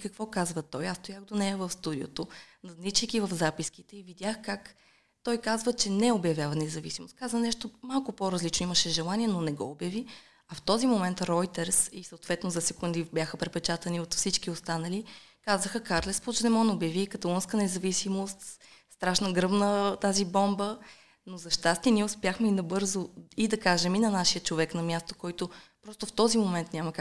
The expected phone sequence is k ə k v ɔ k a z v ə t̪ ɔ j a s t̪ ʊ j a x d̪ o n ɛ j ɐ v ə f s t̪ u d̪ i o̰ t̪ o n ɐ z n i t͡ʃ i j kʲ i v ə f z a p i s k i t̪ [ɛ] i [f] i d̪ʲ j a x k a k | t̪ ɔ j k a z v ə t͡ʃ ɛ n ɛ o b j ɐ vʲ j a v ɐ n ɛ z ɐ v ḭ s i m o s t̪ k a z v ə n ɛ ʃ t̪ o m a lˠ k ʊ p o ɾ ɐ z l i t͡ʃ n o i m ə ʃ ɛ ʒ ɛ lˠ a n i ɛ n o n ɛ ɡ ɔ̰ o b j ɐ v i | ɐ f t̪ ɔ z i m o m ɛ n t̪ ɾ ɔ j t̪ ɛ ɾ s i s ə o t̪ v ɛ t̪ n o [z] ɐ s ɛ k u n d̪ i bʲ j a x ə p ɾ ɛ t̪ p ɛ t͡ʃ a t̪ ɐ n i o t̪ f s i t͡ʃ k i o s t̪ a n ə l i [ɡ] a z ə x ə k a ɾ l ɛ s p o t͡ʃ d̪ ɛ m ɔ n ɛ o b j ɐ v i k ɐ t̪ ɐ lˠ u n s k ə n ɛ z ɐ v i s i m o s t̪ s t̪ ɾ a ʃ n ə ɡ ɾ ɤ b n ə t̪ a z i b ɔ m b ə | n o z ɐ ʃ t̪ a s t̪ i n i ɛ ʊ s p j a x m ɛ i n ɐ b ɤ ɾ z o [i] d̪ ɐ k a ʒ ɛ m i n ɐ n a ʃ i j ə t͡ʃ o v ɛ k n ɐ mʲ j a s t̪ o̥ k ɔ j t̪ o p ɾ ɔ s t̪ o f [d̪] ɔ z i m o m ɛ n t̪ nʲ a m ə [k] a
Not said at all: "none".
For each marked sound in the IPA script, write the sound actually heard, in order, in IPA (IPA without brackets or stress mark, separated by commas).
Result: ɛ, v, z, k, i, t̪, k